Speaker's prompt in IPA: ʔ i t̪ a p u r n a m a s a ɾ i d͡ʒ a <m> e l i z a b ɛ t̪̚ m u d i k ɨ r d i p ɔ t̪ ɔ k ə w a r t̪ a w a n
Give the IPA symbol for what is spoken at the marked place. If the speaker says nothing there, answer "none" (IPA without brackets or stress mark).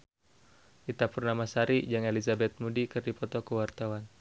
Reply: ŋ